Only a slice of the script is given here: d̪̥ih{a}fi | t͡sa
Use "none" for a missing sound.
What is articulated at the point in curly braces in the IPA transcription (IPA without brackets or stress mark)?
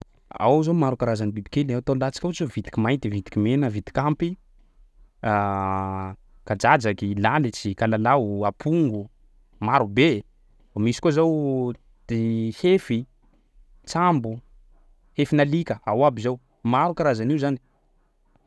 e